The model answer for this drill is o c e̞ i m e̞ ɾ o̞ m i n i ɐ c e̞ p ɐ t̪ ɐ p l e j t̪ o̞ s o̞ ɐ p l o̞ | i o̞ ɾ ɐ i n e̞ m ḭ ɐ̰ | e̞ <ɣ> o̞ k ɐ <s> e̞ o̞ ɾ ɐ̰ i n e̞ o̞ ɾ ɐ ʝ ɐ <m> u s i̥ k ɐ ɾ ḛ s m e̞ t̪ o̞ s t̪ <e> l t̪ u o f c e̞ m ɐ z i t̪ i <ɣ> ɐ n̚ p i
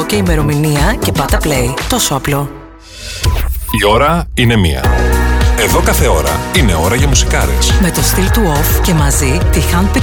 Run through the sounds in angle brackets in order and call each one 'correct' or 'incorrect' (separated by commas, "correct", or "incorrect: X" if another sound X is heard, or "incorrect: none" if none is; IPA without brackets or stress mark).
incorrect: ð, incorrect: θ, correct, incorrect: i, incorrect: x